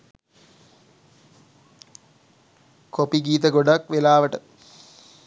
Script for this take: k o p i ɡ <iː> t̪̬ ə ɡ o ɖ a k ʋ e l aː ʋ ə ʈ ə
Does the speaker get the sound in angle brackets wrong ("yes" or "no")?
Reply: no